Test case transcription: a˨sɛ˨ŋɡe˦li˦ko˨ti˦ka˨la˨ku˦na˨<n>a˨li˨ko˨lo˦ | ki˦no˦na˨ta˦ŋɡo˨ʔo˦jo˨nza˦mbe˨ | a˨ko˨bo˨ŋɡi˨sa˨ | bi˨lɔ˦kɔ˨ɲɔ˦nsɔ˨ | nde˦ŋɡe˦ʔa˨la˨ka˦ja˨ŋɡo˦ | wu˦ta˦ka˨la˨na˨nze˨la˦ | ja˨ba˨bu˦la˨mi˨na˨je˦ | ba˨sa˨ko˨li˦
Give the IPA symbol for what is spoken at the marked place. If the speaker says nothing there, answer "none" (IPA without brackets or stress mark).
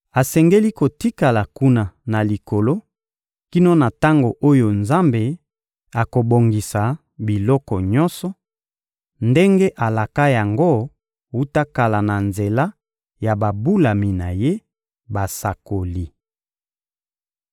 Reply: n